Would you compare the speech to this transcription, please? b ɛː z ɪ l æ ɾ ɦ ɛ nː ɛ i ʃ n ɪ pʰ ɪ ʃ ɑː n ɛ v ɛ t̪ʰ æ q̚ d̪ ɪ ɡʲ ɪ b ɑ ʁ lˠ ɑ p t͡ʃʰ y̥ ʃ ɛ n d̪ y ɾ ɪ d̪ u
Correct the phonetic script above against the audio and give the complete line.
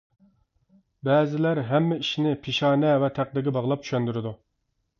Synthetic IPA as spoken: b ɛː z ɪ l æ ɾ ɦ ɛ mː ɛ i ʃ n ɪ pʰ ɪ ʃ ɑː n ɛ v ɛ t̪ʰ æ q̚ d̪ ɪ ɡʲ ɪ b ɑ ʁ lˠ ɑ p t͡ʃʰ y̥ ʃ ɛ n d̪ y ɾ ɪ d̪ u